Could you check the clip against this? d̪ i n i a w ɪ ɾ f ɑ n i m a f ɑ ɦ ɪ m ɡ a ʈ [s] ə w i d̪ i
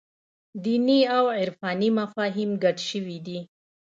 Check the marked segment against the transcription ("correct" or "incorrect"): incorrect